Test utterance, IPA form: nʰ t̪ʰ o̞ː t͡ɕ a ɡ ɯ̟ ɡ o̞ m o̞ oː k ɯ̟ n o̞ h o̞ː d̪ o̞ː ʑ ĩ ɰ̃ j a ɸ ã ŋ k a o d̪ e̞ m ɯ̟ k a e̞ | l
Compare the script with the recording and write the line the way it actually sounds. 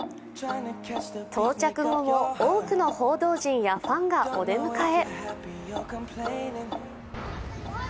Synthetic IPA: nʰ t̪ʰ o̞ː t͡ɕ a k ɯ̟ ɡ o̞ m o̞ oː k ɯ̟ n o̞ h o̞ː d̪ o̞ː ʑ ĩ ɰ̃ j a ɸ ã ŋ ɡ a o d̪ e̞ m ɯ̟ k a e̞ | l